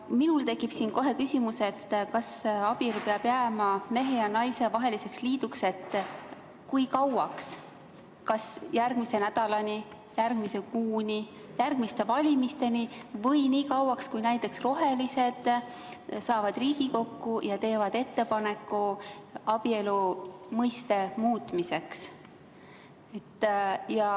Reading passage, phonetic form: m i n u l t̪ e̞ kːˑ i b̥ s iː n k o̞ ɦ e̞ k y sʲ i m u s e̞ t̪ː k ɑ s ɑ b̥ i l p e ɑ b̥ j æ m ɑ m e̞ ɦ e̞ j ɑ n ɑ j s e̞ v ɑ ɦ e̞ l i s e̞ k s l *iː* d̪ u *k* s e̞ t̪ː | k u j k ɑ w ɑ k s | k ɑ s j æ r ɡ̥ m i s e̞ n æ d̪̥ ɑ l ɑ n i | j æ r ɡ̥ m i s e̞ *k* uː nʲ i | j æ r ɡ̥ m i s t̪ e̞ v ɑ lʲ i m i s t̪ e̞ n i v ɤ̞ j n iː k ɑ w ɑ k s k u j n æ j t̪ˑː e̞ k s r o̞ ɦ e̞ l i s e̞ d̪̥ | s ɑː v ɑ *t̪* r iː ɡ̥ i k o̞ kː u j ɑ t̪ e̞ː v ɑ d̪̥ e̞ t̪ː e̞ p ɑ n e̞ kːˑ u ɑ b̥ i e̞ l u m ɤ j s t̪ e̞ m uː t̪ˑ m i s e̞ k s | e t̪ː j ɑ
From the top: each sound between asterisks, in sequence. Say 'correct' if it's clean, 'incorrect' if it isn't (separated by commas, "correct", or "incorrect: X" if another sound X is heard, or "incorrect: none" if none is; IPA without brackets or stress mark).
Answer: correct, correct, correct, incorrect: d̪